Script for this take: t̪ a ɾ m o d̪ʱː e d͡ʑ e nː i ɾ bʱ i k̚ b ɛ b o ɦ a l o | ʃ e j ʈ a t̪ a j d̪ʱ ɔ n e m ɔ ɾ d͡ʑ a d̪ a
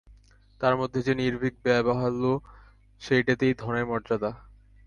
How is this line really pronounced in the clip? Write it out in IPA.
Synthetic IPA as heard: t̪ a ɾ m o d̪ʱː e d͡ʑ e n i ɾ bʱ i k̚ b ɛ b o ɦ a l o | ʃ e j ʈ a t̪ e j d̪ʱ ɔ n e m ɔ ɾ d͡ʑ a d̪ a